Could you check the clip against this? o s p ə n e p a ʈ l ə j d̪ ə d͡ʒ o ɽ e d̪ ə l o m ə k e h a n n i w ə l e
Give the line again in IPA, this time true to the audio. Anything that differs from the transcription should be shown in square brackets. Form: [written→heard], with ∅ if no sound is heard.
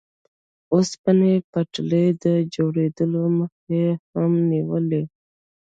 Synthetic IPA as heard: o s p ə n e p a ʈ l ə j d̪ ə d͡ʒ o ɽ e d̪ ə l o m ə [k→x] e h a [n→m] n i w ə l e